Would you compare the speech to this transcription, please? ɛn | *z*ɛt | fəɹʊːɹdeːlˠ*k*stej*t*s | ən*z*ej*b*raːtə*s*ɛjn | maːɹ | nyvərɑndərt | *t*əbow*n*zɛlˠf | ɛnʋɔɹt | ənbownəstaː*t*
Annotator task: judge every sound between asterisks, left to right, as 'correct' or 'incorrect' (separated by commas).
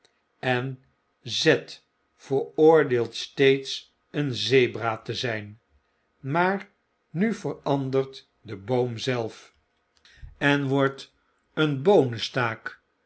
correct, incorrect, correct, correct, correct, incorrect, incorrect, incorrect, incorrect